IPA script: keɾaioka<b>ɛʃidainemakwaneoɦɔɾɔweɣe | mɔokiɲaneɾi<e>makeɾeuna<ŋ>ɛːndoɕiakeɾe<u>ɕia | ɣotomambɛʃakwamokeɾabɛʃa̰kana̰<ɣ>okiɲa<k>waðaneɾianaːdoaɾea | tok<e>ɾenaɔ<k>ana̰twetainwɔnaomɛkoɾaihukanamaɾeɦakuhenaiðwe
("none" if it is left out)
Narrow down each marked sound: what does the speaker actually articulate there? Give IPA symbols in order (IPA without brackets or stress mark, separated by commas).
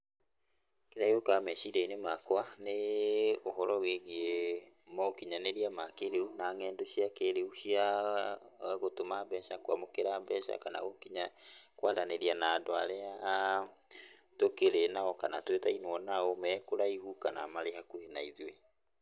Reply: m, a, ŋ, u, ɣ, k, e, k